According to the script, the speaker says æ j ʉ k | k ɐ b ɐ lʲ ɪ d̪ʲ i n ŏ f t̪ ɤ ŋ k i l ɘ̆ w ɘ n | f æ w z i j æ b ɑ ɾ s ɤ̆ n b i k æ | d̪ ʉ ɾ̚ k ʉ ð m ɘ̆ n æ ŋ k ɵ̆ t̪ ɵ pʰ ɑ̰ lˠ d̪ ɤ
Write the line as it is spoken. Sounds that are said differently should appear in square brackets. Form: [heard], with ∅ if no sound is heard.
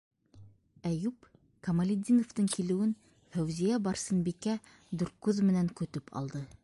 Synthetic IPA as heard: æ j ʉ [p] | k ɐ [m] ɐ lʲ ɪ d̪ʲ i n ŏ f t̪ ɤ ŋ k i l ɘ̆ w ɘ n | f æ w z i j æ b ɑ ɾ s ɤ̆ n b i k æ | d̪ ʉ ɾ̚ k ʉ ð m ɘ̆ n æ ŋ k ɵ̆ t̪ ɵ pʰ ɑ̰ lˠ d̪ ɤ